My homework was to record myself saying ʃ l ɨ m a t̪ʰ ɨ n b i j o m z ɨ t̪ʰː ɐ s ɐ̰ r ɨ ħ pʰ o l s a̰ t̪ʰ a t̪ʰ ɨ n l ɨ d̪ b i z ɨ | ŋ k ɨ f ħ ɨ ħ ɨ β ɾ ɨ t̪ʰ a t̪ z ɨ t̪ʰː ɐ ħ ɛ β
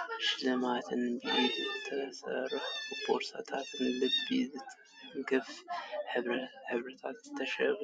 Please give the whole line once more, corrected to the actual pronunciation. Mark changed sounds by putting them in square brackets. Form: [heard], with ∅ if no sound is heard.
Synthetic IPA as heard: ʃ l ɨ m a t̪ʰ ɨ n b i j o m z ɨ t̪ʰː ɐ s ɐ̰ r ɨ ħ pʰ o [ɾ] s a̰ t̪ʰ a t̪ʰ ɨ n l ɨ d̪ b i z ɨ | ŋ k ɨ f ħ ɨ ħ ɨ β ɾ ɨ t̪ʰ a t̪ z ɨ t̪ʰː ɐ [ʃ] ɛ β